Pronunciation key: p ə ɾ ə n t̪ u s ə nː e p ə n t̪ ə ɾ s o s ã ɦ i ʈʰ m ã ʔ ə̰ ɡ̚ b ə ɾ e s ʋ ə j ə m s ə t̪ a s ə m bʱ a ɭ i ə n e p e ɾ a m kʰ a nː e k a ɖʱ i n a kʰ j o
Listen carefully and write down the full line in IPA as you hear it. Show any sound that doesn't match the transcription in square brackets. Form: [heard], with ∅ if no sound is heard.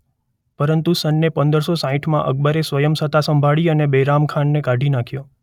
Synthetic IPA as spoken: p ə ɾ ə n t̪ u s ə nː e p ə n [d̪] ə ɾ s o s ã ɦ i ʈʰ m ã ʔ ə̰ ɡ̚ b ə ɾ e s ʋ ə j ə m s ə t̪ a s ə m bʱ a ɭ i ə n e [b] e ɾ a m kʰ a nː e k a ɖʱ i n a kʰ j o